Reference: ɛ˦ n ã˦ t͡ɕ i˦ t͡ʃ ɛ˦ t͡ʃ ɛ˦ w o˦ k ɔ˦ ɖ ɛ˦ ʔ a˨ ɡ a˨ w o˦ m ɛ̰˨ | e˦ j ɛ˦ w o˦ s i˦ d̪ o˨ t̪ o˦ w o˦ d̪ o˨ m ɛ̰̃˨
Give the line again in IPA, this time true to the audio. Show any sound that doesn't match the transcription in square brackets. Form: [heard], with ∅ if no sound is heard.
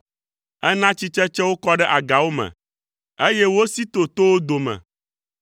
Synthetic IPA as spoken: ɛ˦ n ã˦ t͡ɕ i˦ t͡ʃ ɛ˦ t͡ʃ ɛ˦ w o˦ k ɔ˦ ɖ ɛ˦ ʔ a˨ ɡ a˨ w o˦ m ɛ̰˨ | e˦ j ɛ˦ w o˦ s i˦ [t̪] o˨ t̪ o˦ w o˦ d̪ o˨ m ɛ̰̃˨